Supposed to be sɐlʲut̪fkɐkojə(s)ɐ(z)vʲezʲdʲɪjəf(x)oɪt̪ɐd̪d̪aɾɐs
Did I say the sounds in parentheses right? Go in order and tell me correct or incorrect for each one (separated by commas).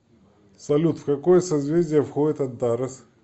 correct, correct, correct